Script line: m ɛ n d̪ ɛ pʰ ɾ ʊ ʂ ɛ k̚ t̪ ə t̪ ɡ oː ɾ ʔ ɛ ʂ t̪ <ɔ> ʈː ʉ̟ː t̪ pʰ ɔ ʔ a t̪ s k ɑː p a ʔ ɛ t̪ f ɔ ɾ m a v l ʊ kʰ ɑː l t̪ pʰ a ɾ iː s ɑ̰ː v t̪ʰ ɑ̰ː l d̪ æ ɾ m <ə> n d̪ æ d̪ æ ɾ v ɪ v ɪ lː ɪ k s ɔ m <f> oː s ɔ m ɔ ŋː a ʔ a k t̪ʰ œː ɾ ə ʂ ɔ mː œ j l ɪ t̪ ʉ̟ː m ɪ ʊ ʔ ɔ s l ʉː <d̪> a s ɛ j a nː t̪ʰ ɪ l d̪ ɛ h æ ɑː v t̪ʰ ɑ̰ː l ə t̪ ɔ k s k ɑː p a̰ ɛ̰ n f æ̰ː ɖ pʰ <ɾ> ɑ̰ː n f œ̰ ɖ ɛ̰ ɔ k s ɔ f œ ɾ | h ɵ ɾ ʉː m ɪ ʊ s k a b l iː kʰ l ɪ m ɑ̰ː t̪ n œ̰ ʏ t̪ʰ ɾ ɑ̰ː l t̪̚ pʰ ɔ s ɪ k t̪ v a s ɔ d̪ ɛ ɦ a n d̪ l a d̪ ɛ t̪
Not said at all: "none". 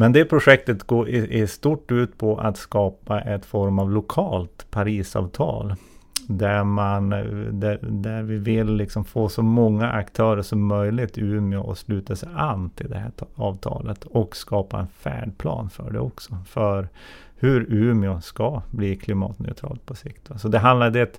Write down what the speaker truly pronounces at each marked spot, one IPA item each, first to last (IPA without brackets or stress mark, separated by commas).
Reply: u, a, f, t̪, l